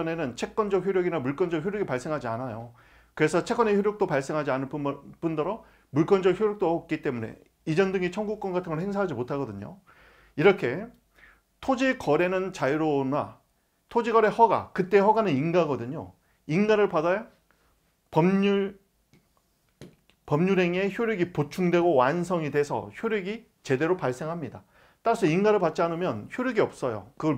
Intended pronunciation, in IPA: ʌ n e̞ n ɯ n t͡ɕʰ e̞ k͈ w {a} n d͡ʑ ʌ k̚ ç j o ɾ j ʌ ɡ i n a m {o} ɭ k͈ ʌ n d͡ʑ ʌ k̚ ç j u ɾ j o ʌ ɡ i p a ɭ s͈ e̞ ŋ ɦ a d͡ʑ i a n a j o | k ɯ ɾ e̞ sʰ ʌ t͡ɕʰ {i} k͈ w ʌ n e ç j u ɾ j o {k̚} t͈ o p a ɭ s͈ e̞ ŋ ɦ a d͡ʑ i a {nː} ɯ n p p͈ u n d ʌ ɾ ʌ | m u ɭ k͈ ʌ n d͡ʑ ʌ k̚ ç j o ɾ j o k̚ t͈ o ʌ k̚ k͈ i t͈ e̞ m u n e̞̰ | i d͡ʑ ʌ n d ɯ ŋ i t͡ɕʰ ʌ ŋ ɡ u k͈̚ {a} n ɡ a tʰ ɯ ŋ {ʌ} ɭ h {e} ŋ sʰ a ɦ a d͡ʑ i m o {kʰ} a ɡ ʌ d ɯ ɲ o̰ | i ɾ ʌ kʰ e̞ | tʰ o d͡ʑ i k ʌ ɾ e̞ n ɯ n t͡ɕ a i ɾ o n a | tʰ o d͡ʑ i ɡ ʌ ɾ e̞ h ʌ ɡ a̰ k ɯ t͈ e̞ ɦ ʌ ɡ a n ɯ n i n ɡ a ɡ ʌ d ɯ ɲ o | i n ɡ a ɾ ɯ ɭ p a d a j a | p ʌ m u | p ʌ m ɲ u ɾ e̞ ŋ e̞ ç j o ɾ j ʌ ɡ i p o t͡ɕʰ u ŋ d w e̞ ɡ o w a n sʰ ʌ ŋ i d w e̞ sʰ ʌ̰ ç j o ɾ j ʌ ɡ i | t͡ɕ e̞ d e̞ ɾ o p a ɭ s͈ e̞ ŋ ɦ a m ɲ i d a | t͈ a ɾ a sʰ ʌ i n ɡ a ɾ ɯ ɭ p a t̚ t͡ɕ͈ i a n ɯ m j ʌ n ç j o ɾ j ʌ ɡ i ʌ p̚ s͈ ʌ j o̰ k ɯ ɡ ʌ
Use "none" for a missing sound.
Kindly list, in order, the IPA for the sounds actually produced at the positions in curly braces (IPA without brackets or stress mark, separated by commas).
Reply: ʌ, u, e, k̚, n, ʌ, ʌ, e, tʰ